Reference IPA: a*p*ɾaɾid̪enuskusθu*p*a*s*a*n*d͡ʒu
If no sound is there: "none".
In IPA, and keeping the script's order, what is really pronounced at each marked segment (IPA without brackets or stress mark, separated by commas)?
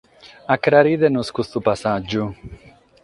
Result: k, p, s, none